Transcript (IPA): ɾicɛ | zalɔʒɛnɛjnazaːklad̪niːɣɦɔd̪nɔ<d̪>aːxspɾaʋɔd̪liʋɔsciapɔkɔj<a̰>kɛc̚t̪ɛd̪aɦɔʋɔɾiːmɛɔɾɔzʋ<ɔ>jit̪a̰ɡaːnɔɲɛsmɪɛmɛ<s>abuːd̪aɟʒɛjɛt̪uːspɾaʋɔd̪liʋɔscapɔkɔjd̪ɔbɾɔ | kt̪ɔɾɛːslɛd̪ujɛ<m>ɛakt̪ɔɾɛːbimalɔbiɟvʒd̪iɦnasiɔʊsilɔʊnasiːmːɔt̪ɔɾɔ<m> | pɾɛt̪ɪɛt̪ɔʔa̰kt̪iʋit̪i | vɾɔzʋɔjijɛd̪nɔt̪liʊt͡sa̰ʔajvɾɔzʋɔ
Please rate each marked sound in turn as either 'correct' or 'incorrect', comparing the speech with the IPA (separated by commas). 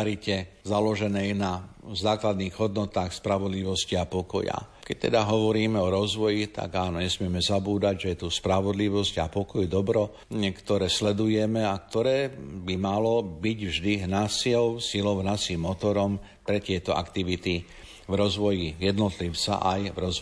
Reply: incorrect, correct, correct, incorrect, correct, correct